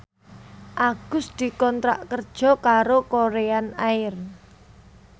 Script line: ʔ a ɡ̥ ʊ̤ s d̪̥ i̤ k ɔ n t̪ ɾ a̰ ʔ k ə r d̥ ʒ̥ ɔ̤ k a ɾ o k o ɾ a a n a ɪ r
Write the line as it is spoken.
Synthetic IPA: ʔ a ɡ̥ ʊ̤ s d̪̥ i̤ k ɔ n t̪ ɾ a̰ ʔ k ə r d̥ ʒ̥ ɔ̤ k a ɾ o k o ɾ e a n a ɪ r

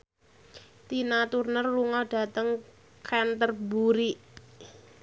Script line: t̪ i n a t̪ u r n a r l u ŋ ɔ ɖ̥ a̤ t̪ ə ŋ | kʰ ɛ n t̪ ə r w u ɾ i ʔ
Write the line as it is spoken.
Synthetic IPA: t̪ i n a t̪ u r n ə r l u ŋ ɔ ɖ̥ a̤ t̪ ə ŋ | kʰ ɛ n t̪ ə r b u ɾ i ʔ

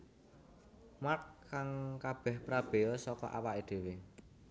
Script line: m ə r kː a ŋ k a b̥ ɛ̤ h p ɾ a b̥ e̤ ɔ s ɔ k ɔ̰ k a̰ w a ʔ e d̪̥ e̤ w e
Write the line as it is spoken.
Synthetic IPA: m a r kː a ŋ k a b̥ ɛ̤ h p ɾ a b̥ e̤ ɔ s ɔ k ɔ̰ ʔ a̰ w a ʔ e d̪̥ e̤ w e

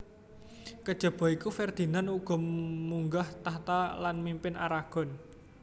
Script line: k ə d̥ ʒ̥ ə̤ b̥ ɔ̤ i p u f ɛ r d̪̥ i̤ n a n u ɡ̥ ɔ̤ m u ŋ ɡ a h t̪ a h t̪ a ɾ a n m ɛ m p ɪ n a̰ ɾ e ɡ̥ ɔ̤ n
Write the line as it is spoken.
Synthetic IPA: k ə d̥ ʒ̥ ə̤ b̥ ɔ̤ i k u f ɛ r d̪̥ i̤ n a n u ɡ̥ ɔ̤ m u ŋ ɡ a h t̪ a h t̪ a l a n m i m p ɪ n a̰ ɾ a ɡ̥ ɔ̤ n

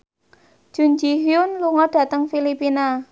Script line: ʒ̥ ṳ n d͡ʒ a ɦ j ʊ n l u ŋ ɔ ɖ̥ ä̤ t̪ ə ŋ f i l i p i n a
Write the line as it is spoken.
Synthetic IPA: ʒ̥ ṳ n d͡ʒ i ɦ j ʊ n l u ŋ ɔ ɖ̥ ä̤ t̪ ə ŋ f i l i p i n a

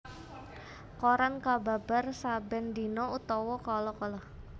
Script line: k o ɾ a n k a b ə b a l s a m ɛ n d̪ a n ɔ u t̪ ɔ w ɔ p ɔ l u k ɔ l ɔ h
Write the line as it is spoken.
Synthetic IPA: k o ɾ a n k a b a b a r s a b ɛ n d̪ i n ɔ u t̪ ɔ w ɔ k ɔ l ɔ k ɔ l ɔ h

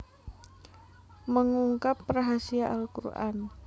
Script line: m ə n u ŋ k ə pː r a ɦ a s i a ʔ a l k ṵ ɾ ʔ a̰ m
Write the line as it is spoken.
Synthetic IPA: m ə ŋ u ŋ k a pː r a ɦ a s i a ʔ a l k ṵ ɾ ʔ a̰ n

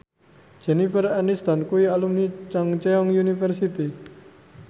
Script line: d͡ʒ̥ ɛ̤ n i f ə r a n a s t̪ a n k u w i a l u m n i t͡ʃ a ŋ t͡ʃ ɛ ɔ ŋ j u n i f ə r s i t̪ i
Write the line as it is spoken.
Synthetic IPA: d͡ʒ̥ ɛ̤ n i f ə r a n i s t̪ a n k u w i a l u m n i t͡ʃ a ŋ t͡ʃ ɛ ɔ ŋ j u n i f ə r s i t̪ i

